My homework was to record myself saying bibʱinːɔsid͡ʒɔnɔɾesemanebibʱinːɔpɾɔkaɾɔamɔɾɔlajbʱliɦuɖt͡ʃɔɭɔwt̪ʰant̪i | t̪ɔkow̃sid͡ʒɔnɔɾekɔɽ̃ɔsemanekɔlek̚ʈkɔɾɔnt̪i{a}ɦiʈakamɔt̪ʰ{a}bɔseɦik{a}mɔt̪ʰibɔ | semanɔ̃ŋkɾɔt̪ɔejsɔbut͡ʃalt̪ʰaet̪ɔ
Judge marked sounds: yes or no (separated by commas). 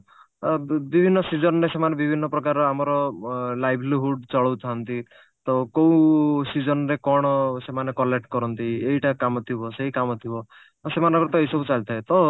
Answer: no, no, yes